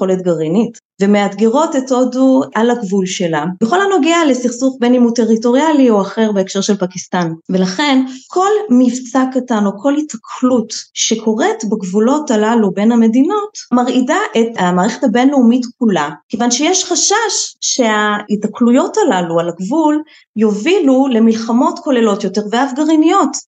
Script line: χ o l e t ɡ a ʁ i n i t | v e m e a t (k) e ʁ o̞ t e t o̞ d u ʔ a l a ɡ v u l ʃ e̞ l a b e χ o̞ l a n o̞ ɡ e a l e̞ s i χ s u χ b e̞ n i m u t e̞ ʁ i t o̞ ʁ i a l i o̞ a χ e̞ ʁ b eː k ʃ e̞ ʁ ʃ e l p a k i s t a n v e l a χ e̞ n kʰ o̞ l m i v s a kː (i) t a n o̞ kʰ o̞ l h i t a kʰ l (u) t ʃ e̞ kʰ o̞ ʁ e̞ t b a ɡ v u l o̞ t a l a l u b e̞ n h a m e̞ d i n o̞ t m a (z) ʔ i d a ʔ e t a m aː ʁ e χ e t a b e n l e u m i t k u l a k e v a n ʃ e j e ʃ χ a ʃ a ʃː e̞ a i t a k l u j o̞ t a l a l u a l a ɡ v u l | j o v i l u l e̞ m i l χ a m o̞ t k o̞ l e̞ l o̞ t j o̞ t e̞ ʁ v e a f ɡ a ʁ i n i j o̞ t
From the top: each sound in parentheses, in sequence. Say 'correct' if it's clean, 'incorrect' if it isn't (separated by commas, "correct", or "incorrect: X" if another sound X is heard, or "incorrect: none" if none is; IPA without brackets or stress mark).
incorrect: ɡ, incorrect: a, correct, incorrect: ʁ